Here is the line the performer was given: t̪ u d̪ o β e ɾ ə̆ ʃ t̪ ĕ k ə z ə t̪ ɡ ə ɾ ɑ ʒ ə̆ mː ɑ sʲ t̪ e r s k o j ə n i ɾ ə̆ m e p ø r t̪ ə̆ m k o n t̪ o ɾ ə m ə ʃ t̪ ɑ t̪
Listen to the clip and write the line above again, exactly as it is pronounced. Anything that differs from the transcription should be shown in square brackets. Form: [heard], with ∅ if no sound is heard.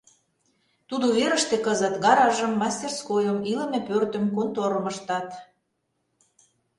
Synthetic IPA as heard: t̪ u d̪ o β e ɾ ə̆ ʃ t̪ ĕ k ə z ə t̪ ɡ [ɑ] ɾ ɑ ʒ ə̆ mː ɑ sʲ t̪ e r s k o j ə [m] i [l] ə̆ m e p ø r t̪ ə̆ m k o n t̪ o ɾ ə m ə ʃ t̪ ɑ t̪

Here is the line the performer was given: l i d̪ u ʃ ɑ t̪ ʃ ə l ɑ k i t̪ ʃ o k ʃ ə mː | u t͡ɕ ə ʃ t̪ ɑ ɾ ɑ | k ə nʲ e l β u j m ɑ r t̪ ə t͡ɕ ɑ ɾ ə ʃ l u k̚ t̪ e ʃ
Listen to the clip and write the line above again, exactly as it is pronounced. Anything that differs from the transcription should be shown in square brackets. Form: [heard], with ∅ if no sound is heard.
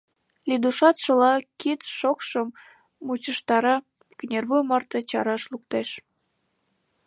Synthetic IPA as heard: l i d̪ u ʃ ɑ t̪ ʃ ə l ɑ k i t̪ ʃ o k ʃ ə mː | u t͡ɕ ə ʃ t̪ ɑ ɾ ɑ | k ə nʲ e [r] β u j m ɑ r t̪ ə t͡ɕ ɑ ɾ [ɑ] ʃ l u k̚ t̪ e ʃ

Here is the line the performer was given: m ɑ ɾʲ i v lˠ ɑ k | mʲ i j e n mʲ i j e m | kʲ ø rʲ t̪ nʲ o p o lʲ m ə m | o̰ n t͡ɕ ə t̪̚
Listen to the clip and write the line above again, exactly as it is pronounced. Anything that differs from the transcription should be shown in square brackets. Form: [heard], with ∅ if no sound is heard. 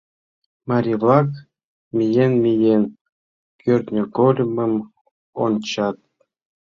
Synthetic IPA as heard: m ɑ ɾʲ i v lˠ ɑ k | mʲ i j e n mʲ i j e [n] | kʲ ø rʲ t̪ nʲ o [k] o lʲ m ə m | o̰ n t͡ɕ [ɑ] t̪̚

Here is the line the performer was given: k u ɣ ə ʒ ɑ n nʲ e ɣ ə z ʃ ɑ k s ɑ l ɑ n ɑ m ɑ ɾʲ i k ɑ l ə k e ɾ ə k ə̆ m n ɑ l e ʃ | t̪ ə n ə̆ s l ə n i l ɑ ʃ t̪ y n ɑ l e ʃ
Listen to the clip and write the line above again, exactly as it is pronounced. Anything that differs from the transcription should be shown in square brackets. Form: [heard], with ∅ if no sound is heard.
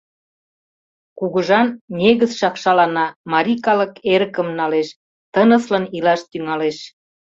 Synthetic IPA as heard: k u ɣ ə ʒ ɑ n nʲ e ɣ ə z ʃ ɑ k [ʃ] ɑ l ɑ n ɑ m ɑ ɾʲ i k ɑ l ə k e ɾ ə k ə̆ m n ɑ l e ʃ | t̪ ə n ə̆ s l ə n i l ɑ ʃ t̪ y [ŋ] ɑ l e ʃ

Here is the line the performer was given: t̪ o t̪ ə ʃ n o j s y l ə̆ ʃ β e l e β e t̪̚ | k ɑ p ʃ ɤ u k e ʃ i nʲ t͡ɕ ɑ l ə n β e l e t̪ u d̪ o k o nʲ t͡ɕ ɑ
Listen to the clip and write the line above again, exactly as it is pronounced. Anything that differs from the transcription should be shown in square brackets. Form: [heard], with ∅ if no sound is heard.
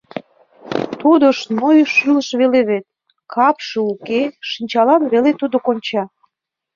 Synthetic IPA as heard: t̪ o [d̪] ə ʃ n o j [ʃ] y l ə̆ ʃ β e l e β e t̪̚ | k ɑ p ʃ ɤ u k e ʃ i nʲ t͡ɕ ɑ l [ɑ] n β e l e t̪ u d̪ o k o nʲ t͡ɕ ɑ

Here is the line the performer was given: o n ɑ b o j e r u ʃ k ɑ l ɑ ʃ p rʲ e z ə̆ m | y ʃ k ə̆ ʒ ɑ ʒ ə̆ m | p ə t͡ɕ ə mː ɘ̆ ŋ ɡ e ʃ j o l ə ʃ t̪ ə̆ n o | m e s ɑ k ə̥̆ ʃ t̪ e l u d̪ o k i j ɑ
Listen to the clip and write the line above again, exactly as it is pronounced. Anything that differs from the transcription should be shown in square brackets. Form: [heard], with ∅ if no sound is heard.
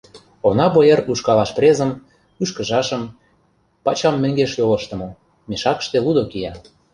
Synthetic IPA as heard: o n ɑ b o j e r u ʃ k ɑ l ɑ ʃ p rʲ e z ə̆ m | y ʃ k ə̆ ʒ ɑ [ʃ] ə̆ m | p [ɑ] t͡ɕ [ɑ] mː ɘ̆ ŋ ɡ e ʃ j o l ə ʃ t̪ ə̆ [m] o | m e [ʃ] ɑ k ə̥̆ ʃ t̪ e l u d̪ o k i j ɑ

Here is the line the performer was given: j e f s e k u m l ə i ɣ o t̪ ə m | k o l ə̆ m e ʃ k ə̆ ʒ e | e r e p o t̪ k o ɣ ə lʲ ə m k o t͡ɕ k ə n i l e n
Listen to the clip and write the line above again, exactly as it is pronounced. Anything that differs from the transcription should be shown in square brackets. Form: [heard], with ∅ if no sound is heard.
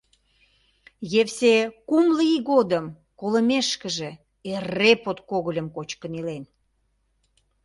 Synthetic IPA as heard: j e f s e k u m l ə i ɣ o [d̪] ə m | k o l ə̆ m e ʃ k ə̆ ʒ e | e r e p o t̪ k o ɣ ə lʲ ə m k o t͡ɕ k ə n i l e n

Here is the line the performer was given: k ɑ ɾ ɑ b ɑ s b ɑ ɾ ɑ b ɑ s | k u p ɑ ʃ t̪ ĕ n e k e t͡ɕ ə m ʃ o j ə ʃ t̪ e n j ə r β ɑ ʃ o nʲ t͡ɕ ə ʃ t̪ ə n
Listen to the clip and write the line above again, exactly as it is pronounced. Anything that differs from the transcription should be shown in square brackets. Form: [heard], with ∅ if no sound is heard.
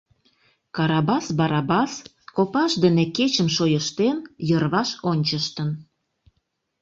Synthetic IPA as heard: k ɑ ɾ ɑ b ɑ s b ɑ ɾ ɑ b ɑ s | k [o] p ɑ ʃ [d̪] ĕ n e k e t͡ɕ ə m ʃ o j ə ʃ t̪ e n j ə r β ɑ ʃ o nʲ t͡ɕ ə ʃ t̪ ə n

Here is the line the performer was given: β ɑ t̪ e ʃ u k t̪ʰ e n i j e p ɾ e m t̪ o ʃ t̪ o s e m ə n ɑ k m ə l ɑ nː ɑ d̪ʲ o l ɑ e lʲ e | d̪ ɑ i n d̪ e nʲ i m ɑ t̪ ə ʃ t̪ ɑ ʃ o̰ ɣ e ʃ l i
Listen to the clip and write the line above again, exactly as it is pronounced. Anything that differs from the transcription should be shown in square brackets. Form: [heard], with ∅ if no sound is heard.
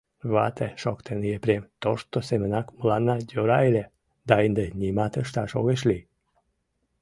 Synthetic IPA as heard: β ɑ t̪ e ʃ [o] k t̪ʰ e n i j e p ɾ e m t̪ o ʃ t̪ o s e m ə n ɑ k m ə l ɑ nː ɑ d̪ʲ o [ɾ] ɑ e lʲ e | d̪ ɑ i n d̪ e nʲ i m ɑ t̪ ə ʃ t̪ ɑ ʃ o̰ ɣ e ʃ l i

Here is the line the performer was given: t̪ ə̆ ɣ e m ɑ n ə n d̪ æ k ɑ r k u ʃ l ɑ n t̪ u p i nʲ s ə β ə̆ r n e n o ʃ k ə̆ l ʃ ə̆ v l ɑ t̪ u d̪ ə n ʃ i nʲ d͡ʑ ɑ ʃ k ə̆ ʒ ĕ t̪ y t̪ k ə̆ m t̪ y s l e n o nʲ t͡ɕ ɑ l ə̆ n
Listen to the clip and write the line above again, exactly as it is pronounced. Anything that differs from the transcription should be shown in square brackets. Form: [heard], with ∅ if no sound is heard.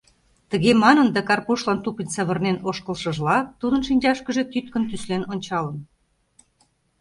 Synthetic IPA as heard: t̪ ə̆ ɣ e m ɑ n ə n d̪ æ k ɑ r [p] u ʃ l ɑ n t̪ u p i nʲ s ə β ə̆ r n e n o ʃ k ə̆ l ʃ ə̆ [ʒ] l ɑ t̪ u d̪ ə n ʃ i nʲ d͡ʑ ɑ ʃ k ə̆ ʒ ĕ t̪ y t̪ k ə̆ [n] t̪ y s l e n o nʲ t͡ɕ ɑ l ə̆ n

